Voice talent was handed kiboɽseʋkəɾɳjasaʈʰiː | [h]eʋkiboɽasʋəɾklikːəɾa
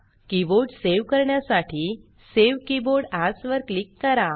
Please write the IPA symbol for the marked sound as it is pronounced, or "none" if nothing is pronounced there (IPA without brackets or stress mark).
s